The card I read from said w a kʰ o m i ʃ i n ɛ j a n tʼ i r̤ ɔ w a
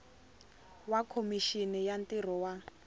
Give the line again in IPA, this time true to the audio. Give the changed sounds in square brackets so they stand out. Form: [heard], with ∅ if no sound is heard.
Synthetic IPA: w a kʰ o m i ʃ i n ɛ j a n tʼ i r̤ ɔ w a